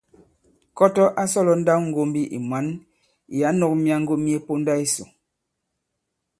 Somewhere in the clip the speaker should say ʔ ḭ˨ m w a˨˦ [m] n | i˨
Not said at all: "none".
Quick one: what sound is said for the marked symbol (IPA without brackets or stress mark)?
none